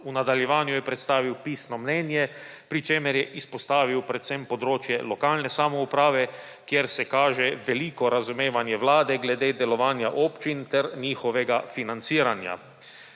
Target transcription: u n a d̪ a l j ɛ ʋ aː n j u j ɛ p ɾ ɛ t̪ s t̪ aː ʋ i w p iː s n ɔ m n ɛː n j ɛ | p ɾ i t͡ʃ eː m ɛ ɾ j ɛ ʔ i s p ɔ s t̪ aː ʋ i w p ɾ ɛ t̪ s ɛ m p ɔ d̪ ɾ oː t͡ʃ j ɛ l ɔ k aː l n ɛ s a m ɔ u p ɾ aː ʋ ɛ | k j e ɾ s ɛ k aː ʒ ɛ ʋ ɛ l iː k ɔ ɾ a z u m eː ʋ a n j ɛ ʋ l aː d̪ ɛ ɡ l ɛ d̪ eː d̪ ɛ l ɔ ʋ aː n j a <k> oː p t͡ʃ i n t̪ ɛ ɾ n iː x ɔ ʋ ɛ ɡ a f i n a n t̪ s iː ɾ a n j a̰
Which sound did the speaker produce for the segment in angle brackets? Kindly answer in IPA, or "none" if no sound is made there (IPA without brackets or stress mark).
ʔ